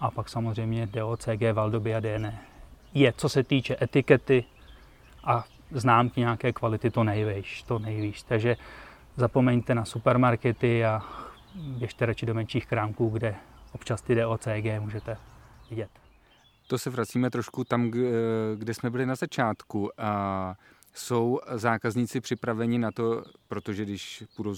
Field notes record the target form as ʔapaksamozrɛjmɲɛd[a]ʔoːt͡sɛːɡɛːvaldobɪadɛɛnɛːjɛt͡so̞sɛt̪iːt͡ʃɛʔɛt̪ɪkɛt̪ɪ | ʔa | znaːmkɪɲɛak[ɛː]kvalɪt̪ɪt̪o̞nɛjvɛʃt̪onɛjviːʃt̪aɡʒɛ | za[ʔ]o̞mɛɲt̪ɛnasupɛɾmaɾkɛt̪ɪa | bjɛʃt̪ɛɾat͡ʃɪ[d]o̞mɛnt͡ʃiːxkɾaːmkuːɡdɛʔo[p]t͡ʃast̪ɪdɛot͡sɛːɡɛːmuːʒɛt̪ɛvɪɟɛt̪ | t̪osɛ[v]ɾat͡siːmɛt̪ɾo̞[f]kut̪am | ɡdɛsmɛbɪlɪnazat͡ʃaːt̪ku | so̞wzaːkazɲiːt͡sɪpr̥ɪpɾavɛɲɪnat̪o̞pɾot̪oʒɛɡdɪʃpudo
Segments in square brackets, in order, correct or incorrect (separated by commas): incorrect, correct, incorrect, correct, correct, correct, incorrect